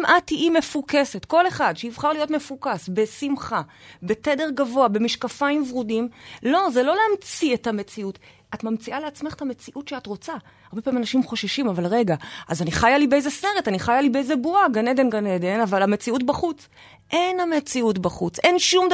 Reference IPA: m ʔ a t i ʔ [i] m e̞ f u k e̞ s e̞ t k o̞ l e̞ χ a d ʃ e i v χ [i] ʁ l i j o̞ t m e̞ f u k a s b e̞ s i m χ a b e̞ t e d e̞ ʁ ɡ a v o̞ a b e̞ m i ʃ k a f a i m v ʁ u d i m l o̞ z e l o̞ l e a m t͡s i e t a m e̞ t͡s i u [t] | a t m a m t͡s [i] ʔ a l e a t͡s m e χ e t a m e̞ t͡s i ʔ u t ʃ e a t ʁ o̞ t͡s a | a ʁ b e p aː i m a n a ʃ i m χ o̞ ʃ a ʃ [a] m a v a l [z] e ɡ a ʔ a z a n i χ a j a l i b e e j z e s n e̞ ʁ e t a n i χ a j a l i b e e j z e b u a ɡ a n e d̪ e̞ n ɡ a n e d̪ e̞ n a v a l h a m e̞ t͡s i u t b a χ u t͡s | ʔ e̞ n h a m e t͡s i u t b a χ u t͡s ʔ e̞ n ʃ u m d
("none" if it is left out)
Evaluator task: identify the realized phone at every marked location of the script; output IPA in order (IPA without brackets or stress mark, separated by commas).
i, a, t, i, i, ʁ